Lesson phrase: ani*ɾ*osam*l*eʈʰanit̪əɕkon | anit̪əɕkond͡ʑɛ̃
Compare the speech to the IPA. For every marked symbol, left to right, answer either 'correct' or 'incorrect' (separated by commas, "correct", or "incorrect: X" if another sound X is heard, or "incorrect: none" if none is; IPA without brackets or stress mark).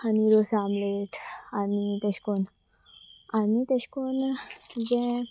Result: correct, correct